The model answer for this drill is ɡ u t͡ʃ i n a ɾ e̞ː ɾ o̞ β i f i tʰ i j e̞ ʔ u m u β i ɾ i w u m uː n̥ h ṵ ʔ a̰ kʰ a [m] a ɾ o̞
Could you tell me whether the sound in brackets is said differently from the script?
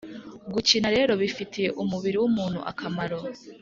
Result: no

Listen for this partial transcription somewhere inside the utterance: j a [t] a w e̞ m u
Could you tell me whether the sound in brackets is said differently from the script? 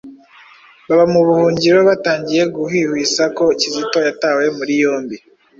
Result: no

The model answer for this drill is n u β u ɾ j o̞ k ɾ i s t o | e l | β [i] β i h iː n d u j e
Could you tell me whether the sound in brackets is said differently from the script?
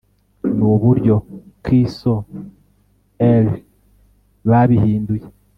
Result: yes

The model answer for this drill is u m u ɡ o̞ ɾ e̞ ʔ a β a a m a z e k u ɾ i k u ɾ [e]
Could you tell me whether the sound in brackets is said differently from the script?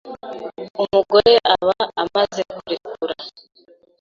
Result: yes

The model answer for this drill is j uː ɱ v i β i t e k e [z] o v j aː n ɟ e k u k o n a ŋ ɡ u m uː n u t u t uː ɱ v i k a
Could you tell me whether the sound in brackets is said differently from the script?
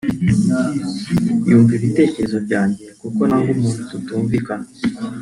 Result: no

